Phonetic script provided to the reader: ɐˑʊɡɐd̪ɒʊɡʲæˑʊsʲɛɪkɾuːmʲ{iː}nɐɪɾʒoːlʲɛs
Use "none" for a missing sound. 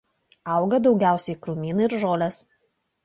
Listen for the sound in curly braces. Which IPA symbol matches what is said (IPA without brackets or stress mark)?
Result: iː